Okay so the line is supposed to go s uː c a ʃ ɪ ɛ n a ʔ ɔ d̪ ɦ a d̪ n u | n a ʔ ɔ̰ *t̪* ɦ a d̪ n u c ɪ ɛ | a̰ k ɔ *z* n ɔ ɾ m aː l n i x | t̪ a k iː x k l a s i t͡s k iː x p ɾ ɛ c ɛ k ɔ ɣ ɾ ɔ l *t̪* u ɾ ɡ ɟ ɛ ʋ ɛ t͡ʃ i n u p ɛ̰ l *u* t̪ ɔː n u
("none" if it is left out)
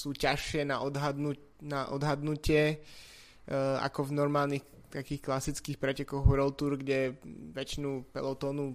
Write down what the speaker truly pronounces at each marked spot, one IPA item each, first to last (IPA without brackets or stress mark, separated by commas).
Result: d̪, v, t̪, ɔ